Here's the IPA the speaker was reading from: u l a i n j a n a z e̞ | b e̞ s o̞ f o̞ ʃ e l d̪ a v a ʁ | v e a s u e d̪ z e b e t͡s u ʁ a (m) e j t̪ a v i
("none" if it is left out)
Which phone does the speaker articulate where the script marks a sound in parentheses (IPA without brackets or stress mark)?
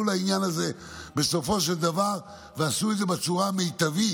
m